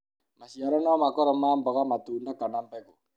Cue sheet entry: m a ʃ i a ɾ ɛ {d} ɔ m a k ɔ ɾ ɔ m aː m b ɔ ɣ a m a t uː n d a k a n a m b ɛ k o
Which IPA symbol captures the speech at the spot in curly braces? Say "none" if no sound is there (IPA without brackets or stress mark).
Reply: n